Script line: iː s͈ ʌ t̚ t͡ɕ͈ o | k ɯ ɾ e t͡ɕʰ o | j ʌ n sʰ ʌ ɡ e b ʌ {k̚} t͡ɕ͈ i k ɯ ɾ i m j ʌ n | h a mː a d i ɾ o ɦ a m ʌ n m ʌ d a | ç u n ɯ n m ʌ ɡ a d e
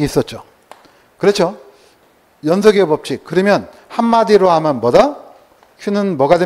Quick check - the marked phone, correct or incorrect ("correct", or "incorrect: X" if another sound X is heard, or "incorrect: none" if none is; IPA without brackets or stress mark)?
incorrect: p̚